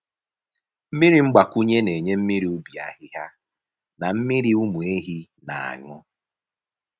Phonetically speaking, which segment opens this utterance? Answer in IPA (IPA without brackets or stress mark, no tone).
m̩